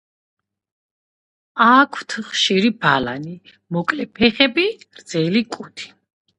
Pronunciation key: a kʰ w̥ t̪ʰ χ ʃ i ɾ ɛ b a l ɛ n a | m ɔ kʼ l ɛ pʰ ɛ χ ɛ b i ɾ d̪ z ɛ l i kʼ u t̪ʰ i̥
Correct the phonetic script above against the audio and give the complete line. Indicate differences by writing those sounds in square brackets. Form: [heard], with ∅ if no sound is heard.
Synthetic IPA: a kʰ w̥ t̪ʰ χ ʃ i ɾ [i] b a l [a] n [i] | m ɔ kʼ l ɛ pʰ ɛ χ ɛ b i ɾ d̪ z ɛ l i kʼ u t̪ʰ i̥